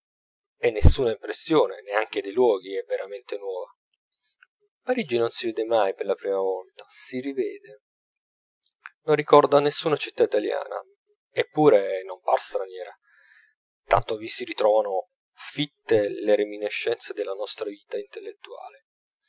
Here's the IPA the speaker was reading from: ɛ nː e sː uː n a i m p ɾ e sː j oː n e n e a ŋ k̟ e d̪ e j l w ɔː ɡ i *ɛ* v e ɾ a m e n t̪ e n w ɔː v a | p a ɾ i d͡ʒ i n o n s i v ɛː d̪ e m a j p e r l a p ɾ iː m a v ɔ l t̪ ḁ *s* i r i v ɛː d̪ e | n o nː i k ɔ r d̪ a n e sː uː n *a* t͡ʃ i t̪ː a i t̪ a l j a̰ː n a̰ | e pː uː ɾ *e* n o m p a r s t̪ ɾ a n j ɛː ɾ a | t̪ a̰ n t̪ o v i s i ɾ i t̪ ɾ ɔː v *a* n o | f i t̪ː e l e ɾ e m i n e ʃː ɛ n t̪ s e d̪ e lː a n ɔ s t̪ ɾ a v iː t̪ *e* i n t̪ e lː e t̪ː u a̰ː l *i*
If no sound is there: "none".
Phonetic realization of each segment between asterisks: ɛ, s, a, e, a, a, e

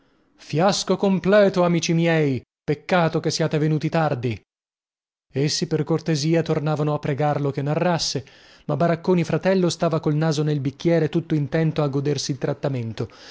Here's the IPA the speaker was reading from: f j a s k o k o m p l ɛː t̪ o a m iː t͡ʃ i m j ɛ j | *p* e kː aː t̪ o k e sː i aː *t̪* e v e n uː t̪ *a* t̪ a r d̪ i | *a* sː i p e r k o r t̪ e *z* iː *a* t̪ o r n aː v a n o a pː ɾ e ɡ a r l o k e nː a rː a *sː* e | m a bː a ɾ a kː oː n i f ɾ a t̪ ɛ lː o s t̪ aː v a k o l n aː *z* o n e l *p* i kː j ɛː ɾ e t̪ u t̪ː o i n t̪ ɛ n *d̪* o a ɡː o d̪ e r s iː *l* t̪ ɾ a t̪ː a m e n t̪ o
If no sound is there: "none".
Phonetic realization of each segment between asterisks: p, t̪, i, e, z, a, sː, z, b, t̪, l

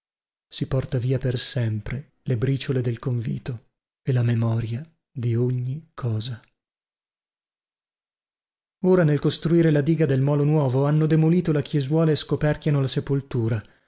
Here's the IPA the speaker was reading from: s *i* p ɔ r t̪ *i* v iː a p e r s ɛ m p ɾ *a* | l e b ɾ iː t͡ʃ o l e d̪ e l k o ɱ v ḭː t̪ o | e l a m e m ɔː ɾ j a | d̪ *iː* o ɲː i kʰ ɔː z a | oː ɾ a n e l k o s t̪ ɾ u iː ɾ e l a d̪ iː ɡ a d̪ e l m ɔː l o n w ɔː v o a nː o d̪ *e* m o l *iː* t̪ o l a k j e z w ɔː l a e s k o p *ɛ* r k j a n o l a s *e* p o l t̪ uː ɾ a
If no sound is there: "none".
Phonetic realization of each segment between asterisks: i, a, e, i, e, iː, ɛ, e

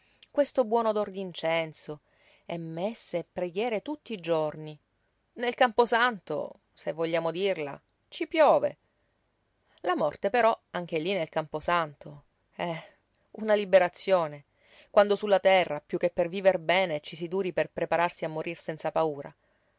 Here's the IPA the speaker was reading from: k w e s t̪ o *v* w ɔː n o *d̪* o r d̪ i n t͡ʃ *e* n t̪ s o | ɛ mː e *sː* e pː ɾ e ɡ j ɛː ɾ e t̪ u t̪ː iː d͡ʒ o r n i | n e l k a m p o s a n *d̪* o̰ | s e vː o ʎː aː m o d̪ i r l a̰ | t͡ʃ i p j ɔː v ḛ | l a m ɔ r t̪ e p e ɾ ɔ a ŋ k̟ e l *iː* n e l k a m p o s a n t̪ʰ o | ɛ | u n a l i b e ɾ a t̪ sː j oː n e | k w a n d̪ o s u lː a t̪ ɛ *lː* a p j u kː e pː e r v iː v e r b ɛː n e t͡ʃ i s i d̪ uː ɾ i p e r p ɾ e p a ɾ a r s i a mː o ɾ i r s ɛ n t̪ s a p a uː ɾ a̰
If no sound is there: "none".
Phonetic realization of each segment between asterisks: b, d̪, ɛ, sː, t̪, i, rː

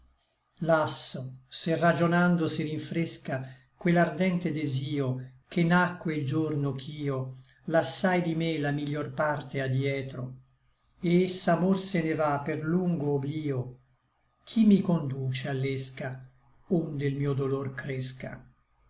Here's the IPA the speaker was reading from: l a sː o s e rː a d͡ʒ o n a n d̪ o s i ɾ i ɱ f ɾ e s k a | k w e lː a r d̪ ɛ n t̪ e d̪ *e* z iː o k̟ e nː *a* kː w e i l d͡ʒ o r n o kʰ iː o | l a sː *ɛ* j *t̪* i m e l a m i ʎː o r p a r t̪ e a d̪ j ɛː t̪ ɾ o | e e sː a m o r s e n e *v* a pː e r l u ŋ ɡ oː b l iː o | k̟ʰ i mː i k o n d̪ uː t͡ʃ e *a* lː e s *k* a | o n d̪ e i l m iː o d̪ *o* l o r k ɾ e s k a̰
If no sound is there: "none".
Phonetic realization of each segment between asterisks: e, a, a, d̪, v, a, k, o

